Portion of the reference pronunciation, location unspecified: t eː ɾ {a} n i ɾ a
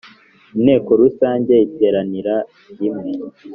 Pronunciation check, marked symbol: correct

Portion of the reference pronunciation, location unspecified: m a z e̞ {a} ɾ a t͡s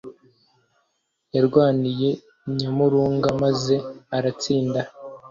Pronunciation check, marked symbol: correct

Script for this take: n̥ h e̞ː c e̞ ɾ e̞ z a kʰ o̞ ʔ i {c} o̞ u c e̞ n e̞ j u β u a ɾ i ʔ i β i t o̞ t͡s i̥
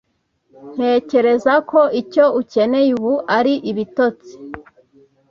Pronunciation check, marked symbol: correct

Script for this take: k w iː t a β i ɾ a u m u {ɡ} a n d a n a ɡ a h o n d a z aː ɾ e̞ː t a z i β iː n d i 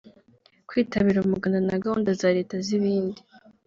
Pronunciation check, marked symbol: correct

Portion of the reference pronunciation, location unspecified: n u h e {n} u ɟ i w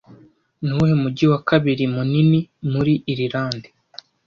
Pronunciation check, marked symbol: incorrect: m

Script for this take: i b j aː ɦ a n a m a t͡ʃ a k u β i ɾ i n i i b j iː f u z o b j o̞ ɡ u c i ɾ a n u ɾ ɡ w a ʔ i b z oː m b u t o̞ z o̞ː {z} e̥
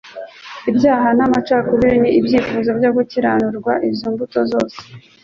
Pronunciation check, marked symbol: incorrect: s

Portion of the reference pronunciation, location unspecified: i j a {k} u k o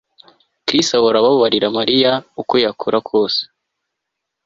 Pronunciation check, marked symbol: incorrect: none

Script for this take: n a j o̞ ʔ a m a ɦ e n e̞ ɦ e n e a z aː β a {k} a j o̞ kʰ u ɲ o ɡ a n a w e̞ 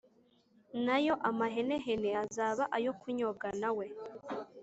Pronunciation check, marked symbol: incorrect: ʔ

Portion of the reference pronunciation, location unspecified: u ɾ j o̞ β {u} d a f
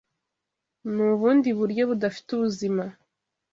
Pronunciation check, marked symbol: correct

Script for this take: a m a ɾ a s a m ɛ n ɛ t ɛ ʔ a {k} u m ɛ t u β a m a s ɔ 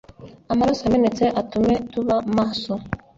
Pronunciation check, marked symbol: incorrect: t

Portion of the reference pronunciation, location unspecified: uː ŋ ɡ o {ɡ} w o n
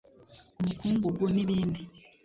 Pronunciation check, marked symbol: correct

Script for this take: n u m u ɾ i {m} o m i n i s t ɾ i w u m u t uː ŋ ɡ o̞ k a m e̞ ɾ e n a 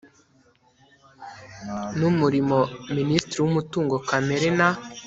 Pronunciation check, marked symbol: correct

